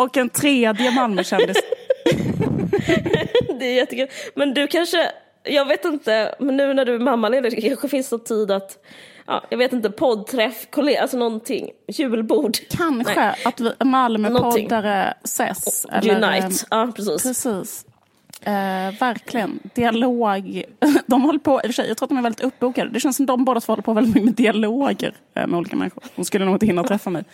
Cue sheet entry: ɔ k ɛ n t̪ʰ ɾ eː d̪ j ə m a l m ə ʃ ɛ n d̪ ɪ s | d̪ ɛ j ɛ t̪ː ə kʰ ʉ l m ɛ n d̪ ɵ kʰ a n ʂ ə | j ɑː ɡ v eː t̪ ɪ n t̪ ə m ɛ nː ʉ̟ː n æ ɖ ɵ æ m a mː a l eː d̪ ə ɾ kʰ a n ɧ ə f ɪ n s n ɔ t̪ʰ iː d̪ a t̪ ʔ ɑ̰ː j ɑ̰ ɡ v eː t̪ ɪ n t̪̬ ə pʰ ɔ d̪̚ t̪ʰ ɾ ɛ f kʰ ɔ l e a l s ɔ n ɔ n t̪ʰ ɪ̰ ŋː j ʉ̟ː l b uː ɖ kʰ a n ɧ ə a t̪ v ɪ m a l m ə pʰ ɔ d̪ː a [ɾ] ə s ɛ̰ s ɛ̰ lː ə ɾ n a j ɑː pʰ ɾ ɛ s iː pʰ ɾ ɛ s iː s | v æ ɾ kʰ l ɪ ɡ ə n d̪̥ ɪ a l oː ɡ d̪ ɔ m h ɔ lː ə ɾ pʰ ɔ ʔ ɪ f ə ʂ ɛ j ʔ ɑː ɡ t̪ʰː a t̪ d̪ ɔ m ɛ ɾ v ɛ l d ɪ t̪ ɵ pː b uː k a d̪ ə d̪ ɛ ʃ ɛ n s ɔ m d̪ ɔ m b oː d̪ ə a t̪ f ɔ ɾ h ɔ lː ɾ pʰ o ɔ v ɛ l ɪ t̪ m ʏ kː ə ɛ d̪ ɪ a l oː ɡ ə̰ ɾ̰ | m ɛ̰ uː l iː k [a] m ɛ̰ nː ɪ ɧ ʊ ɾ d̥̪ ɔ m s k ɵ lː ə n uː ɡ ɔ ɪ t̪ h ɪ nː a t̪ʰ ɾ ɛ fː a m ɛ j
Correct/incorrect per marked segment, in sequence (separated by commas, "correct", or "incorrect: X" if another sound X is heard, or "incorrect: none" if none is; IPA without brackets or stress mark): correct, correct